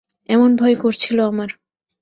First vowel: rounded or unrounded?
unrounded